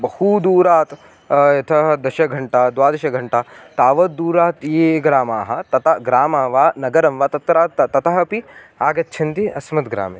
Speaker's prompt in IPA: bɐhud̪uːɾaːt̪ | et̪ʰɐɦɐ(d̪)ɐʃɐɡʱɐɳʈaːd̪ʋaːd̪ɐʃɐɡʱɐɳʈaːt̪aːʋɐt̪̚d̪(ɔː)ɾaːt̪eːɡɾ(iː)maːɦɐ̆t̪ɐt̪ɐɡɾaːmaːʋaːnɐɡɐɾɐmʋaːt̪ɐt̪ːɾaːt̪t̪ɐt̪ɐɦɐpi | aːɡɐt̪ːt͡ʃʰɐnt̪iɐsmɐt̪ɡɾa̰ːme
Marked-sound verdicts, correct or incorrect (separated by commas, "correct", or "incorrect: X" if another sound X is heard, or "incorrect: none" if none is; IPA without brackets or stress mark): correct, incorrect: uː, incorrect: aː